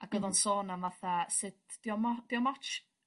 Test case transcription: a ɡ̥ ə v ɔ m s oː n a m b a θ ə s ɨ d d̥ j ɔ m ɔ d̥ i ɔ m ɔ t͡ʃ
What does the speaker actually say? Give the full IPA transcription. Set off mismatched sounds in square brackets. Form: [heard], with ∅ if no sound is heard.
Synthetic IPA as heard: a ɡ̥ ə [ð] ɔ [n] s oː n a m [v] a θ [a] s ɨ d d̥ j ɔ m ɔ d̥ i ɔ m ɔ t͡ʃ